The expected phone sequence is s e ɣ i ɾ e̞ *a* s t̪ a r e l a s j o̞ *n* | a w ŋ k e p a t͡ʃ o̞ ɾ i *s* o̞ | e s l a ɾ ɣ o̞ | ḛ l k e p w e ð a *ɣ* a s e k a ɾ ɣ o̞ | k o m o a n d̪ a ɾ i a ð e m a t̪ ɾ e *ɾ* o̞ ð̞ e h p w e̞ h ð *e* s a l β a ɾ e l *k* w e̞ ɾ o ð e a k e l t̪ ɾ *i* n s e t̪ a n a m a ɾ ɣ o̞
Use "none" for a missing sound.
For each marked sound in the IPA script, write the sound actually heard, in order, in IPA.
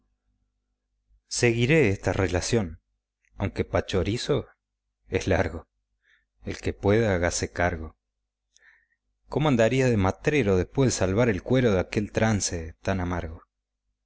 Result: e, n, s, ɣ, ɾ, e, k, a

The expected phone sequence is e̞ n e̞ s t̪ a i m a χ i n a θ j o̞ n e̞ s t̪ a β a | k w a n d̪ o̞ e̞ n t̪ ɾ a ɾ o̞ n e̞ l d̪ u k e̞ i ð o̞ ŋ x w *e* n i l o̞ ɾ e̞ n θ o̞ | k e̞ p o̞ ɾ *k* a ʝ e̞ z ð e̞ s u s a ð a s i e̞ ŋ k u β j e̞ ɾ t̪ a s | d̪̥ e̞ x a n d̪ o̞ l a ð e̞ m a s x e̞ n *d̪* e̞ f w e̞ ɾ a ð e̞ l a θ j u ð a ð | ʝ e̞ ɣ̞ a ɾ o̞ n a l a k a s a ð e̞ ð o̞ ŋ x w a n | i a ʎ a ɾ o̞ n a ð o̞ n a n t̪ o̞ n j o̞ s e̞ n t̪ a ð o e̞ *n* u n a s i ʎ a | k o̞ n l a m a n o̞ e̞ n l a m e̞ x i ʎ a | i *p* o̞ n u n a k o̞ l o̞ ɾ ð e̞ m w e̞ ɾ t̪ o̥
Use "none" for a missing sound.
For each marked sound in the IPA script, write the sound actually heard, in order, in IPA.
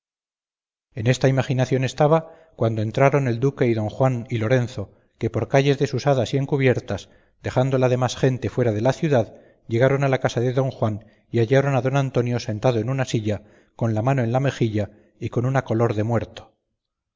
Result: a, k, t̪, n, k

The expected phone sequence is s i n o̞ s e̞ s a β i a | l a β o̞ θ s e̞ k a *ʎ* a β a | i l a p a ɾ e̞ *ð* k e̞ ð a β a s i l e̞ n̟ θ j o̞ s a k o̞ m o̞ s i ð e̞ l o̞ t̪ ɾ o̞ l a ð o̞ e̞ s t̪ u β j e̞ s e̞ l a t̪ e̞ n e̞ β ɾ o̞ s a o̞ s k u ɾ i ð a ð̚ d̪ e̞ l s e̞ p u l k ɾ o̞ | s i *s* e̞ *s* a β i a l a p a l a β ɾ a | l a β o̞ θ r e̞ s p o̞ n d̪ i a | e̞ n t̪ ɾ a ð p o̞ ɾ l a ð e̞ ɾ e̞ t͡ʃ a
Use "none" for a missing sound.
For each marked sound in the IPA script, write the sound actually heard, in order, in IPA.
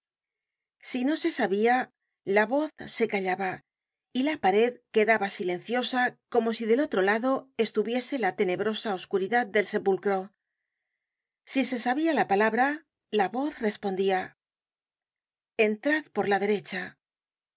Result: ʎ, ð, s, s

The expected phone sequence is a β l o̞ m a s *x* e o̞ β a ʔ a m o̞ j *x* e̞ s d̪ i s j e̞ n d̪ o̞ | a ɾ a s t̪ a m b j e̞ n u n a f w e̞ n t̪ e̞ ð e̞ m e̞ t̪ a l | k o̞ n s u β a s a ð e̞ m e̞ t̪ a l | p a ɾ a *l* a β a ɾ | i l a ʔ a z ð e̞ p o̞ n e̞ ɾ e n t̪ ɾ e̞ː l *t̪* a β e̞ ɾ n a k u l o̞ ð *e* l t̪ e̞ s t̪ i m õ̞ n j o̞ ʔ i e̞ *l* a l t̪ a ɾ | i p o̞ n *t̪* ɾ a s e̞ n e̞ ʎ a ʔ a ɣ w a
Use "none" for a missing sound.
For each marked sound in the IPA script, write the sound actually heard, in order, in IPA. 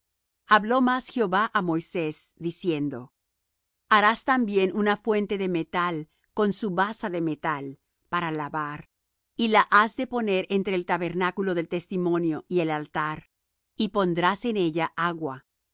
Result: x, s, l, t̪, e, l, d̪

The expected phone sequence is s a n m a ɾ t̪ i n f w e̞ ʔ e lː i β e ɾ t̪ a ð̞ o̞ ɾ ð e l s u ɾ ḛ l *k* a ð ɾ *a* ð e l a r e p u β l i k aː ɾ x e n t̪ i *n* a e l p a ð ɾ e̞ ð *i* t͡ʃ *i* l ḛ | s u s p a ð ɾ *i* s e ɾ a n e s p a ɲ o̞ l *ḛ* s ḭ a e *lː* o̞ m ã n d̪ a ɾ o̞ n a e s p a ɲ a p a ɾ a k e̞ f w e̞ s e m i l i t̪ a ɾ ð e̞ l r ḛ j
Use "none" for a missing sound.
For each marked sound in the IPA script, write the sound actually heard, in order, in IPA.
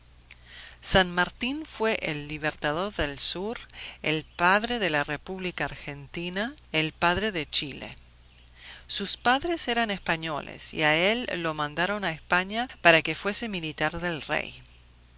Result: p, e, n, e, i, e, ḛ, lː

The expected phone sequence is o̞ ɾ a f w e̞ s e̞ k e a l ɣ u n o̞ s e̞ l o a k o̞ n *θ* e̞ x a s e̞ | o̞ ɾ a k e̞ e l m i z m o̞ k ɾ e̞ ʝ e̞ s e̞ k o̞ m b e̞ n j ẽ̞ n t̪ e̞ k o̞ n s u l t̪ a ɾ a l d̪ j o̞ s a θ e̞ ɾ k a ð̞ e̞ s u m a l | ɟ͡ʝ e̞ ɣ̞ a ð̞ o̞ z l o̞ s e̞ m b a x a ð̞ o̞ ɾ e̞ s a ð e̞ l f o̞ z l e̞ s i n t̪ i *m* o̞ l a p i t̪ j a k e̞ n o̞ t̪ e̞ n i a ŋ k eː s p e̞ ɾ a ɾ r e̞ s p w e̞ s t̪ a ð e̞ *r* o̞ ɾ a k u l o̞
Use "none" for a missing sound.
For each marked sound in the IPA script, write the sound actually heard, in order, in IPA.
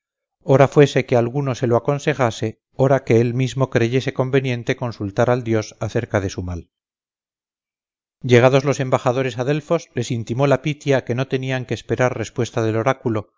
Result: s, m, l

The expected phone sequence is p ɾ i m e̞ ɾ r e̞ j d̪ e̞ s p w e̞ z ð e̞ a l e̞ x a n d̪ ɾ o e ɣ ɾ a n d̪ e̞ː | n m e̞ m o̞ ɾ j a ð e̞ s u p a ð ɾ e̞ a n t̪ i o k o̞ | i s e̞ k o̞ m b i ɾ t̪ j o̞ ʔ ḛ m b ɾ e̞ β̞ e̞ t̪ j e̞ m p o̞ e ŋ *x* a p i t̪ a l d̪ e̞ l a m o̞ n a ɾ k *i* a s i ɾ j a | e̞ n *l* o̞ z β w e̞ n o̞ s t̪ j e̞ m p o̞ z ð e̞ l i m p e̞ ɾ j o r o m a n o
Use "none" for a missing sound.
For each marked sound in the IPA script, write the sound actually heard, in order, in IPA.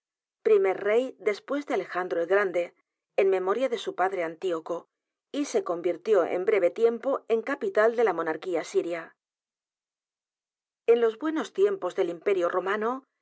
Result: k, i, l

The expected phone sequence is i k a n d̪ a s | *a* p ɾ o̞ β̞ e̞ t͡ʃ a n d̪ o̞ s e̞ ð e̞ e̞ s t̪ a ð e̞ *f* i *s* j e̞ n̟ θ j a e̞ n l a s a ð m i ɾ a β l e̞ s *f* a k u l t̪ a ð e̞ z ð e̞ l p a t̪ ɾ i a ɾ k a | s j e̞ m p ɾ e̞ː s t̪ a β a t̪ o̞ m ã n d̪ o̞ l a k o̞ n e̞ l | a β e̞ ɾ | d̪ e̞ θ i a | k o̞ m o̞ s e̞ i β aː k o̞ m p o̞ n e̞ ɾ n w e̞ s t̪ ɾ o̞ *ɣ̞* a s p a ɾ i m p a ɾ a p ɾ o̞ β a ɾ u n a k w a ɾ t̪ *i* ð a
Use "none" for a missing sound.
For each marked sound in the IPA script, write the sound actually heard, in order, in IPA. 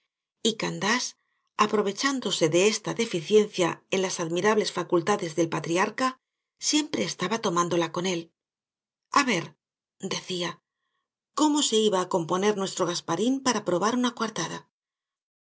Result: a, f, θ, f, ɣ̞, a

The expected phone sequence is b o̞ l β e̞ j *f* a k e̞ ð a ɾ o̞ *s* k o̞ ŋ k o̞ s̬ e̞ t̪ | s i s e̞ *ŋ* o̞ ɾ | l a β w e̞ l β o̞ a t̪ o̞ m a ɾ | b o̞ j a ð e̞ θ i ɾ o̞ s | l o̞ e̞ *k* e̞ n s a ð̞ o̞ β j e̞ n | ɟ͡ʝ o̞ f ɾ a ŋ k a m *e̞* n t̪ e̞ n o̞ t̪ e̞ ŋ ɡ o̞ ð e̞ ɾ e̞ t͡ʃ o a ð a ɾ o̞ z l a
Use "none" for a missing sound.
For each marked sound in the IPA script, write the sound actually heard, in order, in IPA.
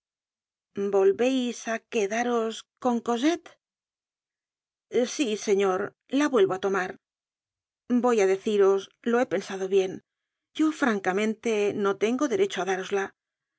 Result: s, s, ɲ, p, ẽ̞

